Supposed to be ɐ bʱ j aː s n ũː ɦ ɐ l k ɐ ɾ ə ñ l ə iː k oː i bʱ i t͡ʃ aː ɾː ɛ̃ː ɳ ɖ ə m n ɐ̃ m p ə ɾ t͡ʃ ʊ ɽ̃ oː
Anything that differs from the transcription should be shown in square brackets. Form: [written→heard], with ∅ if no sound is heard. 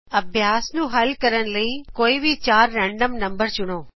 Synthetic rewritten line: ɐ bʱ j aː s n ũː ɦ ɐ l k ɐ ɾ ə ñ l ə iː k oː i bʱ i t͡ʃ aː ɾː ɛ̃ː ɳ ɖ ə m n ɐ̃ m [p→b] ə ɾ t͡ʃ ʊ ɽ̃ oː